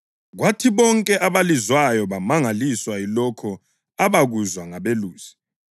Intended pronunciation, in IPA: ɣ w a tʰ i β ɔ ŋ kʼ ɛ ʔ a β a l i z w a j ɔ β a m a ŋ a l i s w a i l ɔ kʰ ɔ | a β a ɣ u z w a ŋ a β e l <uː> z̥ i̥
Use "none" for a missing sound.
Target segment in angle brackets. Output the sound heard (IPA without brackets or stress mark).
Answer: uː